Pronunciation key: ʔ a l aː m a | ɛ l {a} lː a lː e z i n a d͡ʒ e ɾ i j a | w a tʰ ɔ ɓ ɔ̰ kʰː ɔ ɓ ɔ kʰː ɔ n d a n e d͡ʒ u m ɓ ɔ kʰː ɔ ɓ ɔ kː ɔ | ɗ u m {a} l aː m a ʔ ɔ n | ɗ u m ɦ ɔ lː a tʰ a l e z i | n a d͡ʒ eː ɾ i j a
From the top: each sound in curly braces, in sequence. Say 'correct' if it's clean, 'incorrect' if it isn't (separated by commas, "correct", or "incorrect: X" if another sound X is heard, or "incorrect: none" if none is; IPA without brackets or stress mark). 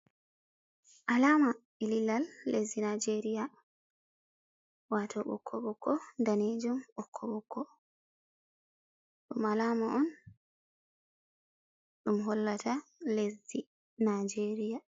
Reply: incorrect: i, correct